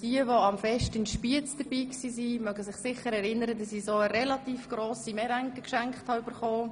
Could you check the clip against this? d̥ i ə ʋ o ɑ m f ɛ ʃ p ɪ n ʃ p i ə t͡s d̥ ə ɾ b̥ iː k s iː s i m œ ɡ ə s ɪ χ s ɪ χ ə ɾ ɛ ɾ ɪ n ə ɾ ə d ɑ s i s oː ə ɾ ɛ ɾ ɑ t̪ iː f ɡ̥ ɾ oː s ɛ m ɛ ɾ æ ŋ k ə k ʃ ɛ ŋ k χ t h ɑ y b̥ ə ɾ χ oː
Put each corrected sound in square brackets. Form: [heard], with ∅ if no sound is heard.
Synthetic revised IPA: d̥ i ə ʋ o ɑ m f ɛ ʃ [t] ɪ n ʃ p i ə t͡s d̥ ə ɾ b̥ iː k s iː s i m œ ɡ ə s ɪ χ s ɪ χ ə ɾ ɛ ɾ ɪ n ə ɾ ə d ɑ s i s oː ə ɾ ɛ [l] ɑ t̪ iː f ɡ̥ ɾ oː s [i] m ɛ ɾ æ ŋ k ə k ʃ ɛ ŋ k χ t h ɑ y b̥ ə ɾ χ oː